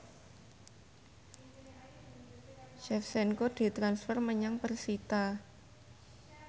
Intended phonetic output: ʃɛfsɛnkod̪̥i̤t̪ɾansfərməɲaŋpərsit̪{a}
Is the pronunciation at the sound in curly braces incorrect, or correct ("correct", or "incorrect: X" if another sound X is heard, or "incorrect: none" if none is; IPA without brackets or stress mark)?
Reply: correct